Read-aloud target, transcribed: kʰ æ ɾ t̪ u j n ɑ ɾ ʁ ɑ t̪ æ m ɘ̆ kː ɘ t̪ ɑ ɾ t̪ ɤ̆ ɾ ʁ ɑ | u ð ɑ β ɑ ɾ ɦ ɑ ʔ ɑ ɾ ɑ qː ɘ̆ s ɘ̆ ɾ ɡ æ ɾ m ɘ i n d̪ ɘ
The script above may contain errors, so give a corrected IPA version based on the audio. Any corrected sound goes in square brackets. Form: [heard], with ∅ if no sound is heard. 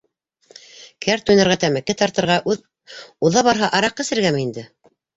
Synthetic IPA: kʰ æ ɾ t̪ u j n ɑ ɾ ʁ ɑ t̪ æ m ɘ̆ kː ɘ t̪ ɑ ɾ t̪ ɤ̆ ɾ ʁ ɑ | u ð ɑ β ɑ ɾ ɦ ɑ ʔ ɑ ɾ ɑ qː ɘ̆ s ɘ̆ ɾ ɡ æ [∅] m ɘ i n d̪ ɘ

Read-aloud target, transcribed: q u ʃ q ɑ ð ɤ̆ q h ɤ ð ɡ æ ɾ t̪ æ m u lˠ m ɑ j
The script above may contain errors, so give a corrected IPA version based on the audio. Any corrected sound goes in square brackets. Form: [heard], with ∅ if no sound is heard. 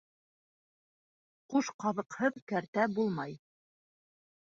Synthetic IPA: q u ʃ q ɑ ð ɤ̆ q h ɤ ð [k] æ ɾ t̪ æ [b] u lˠ m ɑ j

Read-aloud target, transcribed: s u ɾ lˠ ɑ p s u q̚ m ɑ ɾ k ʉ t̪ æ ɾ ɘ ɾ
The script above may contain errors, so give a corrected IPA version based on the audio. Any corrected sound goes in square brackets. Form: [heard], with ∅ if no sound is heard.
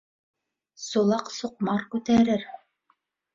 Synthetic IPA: s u [∅] lˠ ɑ [q] s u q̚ m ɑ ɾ k ʉ t̪ æ ɾ ɘ ɾ

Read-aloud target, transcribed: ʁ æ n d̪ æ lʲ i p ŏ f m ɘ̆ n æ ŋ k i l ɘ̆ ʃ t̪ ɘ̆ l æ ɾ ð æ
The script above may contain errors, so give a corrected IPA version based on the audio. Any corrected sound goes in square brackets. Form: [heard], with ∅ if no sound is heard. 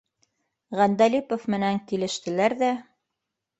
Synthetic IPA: ʁ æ n d̪ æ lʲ i p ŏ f m ɘ̆ n æ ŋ k i l ɘ̆ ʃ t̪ ɘ̆ l æ ɾ ð æ

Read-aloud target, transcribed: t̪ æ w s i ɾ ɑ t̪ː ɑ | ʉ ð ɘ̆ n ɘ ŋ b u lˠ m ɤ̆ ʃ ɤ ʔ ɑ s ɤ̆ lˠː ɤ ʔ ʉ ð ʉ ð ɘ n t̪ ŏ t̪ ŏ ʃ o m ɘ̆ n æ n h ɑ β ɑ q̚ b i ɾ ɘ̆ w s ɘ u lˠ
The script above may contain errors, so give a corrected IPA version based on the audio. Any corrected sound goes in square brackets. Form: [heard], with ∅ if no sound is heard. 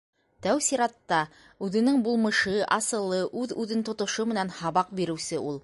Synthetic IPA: t̪ æ w s i ɾ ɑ t̪ː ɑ | ʉ ð ɘ̆ n ɘ ŋ b u lˠ m ɤ̆ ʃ ɤ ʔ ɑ s ɤ̆ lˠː ɤ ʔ ʉ ð ʉ ð ɘ n t̪ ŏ t̪ ŏ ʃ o m ɘ̆ n æ n h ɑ β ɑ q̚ b i ɾ ɘ̆ w s ɘ u lˠ

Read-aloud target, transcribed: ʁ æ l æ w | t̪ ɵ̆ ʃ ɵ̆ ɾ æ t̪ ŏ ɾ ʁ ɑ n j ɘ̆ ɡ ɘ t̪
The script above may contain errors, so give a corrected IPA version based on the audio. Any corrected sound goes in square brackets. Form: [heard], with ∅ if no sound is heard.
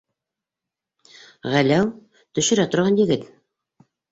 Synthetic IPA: ʁ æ l æ w | t̪ ɵ̆ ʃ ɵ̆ ɾ æ t̪ ŏ ɾ ʁ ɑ n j ɘ̆ ɡ ɘ t̪

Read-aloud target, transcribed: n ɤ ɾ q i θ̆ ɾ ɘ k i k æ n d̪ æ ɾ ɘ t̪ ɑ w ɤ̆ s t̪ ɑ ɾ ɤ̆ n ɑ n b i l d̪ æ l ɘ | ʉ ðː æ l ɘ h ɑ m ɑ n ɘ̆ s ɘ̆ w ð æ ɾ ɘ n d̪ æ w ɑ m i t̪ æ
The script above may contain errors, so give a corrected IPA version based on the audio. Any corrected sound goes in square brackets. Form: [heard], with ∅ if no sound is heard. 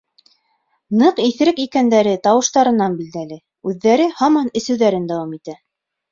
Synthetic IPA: n ɤ [∅] q i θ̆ ɾ ɘ k i k æ n d̪ æ ɾ ɘ t̪ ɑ w ɤ̆ [ʃ] t̪ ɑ ɾ ɤ̆ n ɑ n b i l d̪ æ l ɘ | ʉ ðː æ [ɾ] ɘ h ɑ m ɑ n ɘ̆ s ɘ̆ w ð æ ɾ ɘ n d̪ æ w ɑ m i t̪ æ

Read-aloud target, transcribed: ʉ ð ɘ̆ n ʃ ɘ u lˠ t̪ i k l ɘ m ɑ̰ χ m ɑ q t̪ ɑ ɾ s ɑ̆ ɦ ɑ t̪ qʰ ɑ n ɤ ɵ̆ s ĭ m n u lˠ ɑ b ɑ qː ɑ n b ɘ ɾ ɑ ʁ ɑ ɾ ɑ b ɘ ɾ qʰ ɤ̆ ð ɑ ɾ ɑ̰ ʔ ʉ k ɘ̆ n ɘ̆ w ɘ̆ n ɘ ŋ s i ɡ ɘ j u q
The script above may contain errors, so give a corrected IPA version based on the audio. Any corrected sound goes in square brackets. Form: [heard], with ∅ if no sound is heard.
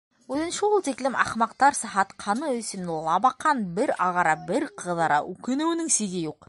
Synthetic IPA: ʉ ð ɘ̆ n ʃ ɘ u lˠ t̪ i k l ɘ m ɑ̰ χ m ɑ q t̪ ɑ ɾ s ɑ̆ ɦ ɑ t̪ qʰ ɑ n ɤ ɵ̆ s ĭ m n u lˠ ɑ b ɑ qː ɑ n b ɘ ɾ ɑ ʁ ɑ ɾ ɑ b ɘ ɾ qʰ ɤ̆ ð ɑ ɾ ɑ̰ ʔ ʉ k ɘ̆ n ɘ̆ w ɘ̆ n ɘ ŋ s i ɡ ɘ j u q

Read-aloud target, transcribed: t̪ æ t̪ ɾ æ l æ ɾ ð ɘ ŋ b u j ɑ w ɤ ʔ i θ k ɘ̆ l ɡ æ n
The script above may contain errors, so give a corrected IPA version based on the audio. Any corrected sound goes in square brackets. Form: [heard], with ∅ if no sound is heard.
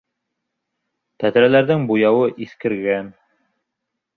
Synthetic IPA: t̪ æ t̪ ɾ æ l æ ɾ ð ɘ ŋ b u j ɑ w ɤ ʔ i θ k ɘ̆ [ɾ] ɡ æ n

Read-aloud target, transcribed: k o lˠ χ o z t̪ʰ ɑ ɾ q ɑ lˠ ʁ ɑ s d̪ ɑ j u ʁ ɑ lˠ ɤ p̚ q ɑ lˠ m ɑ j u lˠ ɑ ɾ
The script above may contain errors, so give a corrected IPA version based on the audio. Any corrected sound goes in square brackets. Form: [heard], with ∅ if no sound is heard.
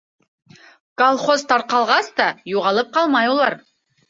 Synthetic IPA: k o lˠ χ o z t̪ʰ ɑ ɾ q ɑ lˠ ʁ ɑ s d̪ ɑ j u ʁ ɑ lˠ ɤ p̚ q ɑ lˠ m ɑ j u lˠ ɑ ɾ

